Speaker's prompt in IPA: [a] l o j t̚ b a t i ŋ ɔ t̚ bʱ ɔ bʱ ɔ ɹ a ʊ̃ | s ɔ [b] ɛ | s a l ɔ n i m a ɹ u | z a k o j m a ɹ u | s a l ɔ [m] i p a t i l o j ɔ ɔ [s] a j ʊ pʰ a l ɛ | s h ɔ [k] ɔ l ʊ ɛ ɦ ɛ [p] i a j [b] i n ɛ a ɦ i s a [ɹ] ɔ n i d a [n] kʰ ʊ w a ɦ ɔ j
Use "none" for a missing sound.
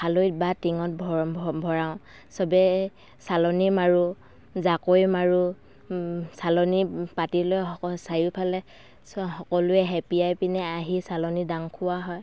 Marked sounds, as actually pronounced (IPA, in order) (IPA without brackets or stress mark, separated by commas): a, b, n, s, k, p, p, l, ŋ